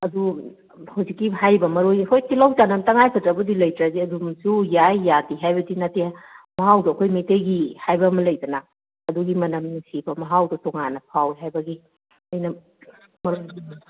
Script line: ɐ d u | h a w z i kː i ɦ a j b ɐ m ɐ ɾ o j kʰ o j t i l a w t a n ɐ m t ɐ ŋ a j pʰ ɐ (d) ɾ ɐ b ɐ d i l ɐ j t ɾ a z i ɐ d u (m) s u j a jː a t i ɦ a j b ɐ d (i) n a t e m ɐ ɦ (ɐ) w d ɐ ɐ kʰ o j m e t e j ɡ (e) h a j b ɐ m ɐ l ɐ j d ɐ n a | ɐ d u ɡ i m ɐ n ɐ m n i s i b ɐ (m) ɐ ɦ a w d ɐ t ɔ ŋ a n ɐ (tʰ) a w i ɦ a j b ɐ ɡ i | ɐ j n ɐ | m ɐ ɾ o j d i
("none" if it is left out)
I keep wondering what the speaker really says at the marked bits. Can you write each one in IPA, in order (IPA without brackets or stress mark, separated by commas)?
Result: t, m, i, a, i, m, pʰ